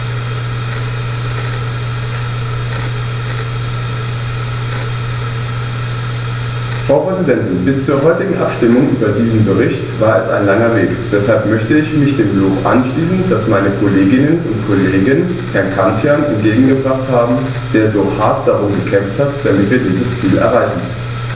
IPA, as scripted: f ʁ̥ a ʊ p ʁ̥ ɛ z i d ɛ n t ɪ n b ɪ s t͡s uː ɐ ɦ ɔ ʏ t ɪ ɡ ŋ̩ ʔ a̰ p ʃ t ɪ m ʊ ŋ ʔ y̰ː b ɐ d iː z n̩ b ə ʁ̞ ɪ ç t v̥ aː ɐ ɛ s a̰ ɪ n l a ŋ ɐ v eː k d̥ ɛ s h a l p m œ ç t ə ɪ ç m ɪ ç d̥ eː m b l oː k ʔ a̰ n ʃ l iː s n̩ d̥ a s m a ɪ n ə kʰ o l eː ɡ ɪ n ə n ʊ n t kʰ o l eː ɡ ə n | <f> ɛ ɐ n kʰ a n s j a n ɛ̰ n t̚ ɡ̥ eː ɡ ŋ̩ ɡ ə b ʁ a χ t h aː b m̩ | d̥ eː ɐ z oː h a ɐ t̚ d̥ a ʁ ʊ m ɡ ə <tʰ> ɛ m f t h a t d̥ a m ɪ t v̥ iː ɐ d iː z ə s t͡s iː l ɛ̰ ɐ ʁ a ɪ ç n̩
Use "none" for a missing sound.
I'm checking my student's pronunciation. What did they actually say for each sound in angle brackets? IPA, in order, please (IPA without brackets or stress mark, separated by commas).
h, kʰ